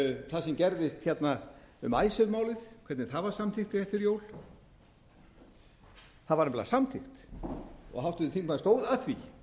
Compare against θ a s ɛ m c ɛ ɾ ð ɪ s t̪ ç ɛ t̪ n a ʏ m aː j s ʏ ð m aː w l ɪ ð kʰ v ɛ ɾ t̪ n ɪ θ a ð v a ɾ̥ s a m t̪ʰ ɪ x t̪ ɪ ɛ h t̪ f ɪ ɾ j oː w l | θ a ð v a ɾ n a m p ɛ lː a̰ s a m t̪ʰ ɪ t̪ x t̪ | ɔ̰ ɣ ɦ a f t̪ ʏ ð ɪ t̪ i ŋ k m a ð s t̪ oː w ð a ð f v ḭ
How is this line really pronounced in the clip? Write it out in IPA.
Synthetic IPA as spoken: θ a s ɛ m c ɛ ɾ ð ɪ s t̪ ç ɛ t̪ n a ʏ m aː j s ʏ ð m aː w l ɪ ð kʰ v ɛ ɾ t̪ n ɪ θ a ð v a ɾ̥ s a m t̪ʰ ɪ x t̪ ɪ ɛ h t̪ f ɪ ɾ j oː w l | θ a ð v a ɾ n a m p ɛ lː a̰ s a m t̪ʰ ɪ x t̪ | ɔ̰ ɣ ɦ a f t̪ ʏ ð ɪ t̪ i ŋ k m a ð s t̪ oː w ð a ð θ v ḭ